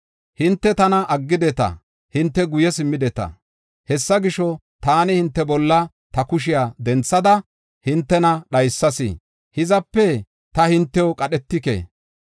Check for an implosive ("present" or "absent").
present